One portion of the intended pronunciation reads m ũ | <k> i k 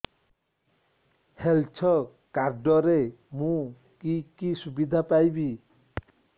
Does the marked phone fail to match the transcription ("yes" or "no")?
no